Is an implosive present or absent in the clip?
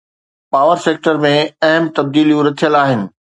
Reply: absent